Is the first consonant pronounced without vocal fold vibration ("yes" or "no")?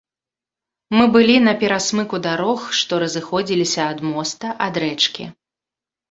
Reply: no